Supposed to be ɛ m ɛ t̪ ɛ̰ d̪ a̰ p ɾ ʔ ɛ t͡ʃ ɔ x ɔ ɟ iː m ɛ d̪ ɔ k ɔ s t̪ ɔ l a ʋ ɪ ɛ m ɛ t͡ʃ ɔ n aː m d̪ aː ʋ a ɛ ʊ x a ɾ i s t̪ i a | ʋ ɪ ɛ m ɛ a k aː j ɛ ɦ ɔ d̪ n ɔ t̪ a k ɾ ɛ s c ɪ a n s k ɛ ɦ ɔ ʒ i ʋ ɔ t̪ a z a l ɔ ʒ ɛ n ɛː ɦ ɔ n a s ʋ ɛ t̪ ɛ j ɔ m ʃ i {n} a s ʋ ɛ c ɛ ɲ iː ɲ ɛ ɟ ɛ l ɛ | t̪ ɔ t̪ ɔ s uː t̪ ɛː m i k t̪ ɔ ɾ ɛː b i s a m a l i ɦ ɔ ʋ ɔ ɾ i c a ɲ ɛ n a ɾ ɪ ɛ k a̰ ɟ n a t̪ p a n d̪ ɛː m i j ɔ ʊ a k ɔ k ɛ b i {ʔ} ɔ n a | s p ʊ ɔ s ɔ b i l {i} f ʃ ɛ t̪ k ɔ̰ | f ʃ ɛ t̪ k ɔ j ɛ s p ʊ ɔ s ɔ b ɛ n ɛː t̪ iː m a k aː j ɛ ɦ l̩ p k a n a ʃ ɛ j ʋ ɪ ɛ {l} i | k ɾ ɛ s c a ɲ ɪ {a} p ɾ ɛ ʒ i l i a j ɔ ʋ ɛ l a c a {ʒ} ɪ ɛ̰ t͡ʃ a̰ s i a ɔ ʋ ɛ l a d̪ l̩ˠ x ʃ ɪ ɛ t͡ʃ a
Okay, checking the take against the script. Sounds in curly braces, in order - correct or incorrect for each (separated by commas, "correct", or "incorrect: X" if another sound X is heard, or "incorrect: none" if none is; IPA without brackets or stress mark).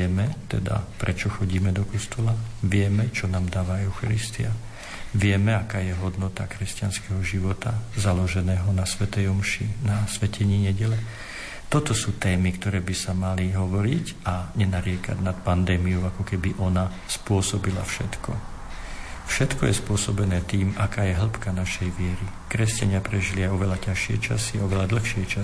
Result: correct, correct, incorrect: a, incorrect: ɾ, correct, incorrect: ʃ